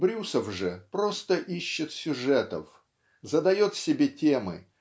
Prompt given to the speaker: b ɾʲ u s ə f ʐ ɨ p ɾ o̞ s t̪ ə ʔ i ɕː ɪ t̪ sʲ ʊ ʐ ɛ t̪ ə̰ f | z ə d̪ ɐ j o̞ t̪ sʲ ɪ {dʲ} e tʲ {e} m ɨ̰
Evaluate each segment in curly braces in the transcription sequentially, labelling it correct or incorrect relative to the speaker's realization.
incorrect: bʲ, correct

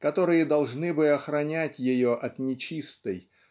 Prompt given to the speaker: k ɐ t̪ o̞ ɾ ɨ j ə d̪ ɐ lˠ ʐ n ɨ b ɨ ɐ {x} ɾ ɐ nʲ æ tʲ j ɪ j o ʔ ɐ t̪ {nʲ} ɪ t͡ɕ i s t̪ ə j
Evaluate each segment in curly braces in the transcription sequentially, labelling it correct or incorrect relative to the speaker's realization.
correct, correct

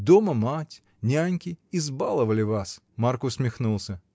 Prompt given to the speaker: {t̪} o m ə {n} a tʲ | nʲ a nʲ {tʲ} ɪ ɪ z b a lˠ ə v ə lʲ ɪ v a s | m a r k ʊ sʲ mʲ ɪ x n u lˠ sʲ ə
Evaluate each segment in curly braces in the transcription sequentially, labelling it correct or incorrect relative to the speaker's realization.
incorrect: d̪, incorrect: m, incorrect: kʲ

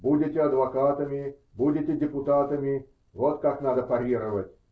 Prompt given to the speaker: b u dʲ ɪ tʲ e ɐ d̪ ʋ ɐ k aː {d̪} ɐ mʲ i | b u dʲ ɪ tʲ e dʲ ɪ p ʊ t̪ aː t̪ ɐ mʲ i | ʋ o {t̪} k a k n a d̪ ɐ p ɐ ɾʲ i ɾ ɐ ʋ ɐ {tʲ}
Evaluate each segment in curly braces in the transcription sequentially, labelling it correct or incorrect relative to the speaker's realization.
incorrect: t̪, correct, correct

